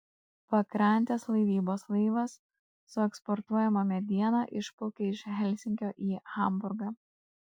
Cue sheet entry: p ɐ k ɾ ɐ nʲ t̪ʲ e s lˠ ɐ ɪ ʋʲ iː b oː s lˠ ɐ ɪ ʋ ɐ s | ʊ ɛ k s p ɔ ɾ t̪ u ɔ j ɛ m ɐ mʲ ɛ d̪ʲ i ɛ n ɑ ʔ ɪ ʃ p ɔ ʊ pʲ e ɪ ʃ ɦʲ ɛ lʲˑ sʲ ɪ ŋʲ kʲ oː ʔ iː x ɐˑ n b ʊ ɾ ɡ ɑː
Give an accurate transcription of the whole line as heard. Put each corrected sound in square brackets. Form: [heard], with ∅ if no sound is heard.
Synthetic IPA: p ɐ k ɾ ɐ nʲ t̪ʲ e s lˠ ɐ ɪ ʋʲ iː b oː s lˠ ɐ ɪ ʋ ɐ [sː] | ʊ ɛ k s p ɔ ɾ t̪ u ɔ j ɛ m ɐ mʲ ɛ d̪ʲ i ɛ n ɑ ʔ ɪ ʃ p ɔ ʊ [kʲ] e ɪ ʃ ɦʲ ɛ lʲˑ sʲ ɪ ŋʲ kʲ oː ʔ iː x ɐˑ [m] b ʊ ɾ ɡ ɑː